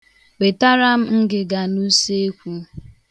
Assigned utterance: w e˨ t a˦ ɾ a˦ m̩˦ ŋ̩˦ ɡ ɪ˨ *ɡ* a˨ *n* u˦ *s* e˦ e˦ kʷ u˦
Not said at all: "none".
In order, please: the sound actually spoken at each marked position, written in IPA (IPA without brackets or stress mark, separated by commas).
ɡ, n, s